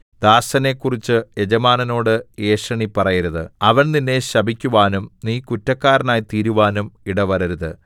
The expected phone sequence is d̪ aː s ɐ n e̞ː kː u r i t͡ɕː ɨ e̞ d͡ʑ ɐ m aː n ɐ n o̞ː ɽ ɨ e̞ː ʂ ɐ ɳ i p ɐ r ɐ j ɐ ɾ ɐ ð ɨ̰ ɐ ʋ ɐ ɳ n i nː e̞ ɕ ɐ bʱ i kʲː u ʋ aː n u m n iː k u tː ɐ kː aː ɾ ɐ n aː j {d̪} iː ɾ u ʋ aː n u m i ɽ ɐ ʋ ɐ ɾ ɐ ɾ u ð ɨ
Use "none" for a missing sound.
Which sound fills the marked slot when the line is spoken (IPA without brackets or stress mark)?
t̪